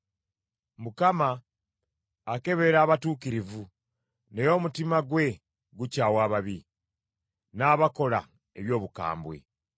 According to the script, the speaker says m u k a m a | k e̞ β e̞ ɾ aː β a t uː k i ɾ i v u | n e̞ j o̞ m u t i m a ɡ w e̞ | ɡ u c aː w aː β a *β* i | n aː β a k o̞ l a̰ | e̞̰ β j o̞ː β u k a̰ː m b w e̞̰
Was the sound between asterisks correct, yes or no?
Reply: yes